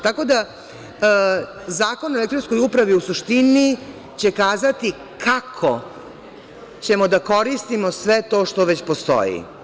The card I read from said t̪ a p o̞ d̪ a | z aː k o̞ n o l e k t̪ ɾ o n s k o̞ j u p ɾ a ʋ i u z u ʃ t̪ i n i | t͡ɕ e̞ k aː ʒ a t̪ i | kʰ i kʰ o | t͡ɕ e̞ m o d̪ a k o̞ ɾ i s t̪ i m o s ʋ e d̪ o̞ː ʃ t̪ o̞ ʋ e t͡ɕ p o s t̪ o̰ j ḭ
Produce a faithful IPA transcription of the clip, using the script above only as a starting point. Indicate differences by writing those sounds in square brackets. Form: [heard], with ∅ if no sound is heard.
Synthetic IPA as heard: t̪ a [k] o̞ d̪ a | z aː k o̞ n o l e k t̪ ɾ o n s k o̞ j u p ɾ a ʋ i u [s] u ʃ t̪ i n i | t͡ɕ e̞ k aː [z] a t̪ i | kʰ [a] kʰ o | t͡ɕ e̞ m o d̪ a k o̞ ɾ i s t̪ i m o s ʋ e [t̪] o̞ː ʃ t̪ o̞ ʋ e t͡ɕ p o s t̪ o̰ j ḭ